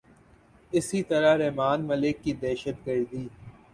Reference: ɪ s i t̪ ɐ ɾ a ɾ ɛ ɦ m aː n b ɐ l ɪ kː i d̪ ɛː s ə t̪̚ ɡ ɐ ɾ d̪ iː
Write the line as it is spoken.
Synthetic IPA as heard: ɪ s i t̪ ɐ ɾ a ɾ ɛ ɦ m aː n m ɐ l ɪ kː i d̪ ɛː ʃ ə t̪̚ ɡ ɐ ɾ d̪ iː